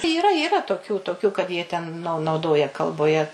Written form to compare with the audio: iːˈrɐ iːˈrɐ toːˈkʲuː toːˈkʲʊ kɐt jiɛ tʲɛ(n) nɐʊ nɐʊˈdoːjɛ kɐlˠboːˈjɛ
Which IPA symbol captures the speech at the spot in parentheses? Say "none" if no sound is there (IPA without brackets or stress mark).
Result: n